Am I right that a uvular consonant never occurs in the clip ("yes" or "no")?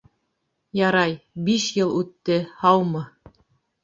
yes